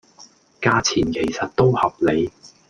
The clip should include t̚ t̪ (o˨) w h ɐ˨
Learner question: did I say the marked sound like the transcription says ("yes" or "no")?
no